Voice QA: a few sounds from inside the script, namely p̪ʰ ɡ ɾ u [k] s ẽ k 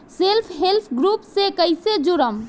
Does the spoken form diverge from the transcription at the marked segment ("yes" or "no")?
yes